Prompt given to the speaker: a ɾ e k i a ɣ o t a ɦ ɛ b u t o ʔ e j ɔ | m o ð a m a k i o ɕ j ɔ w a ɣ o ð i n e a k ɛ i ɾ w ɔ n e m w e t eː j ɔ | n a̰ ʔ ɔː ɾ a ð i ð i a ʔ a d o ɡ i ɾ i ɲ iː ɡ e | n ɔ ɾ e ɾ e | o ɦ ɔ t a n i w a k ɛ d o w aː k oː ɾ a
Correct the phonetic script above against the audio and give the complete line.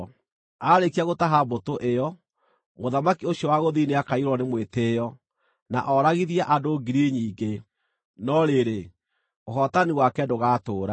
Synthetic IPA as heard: a ɾ e k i a ɣ o t a ɦ a b o t o ʔ e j ɔ | m o ð a m a k i o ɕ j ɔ w a ɣ o ð i n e a k a i ɾ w ɔ n e m w e t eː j ɔ | n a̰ ʔ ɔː ɾ a ɣ i ð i a ʔ a d o ɡ i ɾ i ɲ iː ɡ e | n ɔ ɾ e ɾ e | o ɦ ɔ t a n i w a k ɛ d o ɣ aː t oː ɾ a